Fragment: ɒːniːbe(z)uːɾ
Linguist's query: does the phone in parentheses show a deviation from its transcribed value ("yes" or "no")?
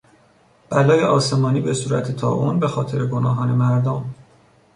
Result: yes